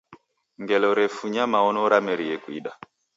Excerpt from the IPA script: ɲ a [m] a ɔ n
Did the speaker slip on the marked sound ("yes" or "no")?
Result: no